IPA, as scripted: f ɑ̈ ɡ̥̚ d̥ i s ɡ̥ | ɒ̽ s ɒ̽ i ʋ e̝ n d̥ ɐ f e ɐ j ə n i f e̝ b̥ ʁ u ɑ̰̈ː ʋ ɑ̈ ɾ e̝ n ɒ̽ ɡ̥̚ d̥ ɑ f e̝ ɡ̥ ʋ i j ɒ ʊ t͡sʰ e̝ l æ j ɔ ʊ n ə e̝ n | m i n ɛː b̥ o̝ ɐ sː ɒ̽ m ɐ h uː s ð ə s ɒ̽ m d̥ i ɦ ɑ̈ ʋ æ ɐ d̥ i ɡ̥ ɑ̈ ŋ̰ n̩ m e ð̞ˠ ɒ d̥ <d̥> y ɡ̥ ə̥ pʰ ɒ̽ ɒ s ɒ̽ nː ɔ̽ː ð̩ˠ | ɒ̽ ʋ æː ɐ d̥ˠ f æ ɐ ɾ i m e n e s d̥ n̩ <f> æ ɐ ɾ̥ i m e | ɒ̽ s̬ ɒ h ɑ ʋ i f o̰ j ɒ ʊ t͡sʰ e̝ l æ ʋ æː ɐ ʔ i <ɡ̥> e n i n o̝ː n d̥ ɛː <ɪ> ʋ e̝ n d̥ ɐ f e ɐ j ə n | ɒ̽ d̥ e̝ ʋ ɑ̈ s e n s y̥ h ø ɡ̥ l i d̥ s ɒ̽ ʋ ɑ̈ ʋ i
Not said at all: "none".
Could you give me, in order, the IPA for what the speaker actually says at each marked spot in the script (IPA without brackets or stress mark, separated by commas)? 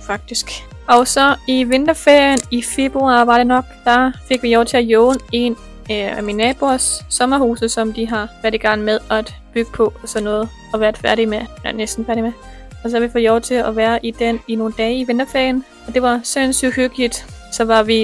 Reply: b̥, f, d̥, i